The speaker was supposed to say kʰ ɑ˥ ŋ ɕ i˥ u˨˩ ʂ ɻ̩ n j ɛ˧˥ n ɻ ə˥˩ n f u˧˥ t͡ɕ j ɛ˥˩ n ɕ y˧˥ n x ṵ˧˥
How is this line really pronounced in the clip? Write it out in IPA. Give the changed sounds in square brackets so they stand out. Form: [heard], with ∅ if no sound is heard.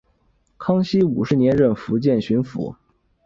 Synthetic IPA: kʰ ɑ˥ ŋ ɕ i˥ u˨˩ ʂ ɻ̩ n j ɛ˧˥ n ɻ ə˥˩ n f u˧˥ t͡ɕ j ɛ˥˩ n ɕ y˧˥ n [f] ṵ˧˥